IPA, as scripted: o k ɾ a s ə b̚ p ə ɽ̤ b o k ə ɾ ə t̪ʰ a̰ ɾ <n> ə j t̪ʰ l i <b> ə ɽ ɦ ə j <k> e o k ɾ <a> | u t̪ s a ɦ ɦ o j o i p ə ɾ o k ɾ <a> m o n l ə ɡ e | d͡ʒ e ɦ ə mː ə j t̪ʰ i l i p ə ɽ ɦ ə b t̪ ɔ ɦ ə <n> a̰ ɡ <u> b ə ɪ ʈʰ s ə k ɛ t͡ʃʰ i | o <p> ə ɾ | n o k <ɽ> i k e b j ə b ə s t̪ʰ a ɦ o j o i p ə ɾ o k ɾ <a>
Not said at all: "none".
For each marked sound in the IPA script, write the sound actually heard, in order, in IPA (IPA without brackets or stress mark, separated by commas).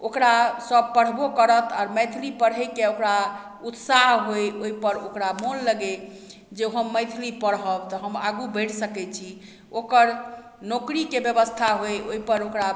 m, p, k, a, a, m, u, k, ɾ, a